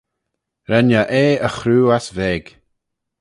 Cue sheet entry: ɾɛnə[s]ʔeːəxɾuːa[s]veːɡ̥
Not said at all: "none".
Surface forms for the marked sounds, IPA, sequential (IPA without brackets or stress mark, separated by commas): none, s